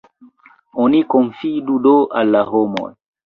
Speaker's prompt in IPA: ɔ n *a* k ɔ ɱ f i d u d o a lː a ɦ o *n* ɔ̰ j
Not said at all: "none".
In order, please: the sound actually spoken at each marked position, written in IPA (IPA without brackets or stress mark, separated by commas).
i, m